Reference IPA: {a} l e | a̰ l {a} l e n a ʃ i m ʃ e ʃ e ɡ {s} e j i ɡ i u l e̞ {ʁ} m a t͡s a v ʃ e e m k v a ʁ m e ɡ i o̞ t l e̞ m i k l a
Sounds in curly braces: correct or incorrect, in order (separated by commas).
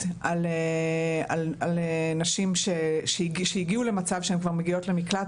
correct, correct, incorrect, incorrect